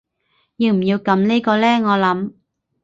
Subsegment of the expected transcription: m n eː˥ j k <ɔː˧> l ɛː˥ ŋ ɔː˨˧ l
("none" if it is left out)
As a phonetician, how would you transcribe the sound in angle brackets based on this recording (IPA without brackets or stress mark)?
ɔː˧